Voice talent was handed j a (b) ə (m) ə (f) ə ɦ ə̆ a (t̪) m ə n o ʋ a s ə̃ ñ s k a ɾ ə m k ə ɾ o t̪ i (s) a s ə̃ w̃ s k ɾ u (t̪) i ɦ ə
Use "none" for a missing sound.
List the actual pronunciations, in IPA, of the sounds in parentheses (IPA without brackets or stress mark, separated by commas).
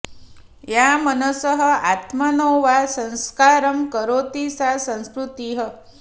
m, n, s, t̪, s, t̪